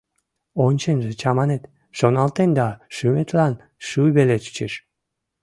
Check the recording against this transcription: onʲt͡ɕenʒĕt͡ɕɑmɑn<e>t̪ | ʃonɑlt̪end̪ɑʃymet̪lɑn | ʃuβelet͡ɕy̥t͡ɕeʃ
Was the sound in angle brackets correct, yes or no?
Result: yes